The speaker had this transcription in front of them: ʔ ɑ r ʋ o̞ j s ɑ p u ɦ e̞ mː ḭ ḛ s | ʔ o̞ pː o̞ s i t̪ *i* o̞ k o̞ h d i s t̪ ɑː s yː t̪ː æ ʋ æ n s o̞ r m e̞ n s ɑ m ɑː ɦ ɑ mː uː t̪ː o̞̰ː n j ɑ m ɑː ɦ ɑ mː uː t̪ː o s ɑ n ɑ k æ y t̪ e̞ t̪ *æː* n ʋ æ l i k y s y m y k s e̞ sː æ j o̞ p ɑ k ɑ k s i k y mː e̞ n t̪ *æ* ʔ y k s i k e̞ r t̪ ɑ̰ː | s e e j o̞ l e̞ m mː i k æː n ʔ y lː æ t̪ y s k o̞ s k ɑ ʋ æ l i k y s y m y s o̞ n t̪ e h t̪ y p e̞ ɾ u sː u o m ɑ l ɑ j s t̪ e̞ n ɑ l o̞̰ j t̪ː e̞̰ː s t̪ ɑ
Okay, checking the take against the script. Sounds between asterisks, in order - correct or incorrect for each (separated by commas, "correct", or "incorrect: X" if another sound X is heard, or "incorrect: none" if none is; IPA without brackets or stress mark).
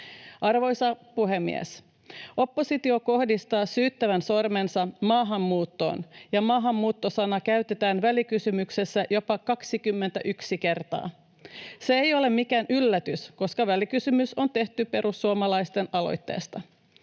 correct, correct, correct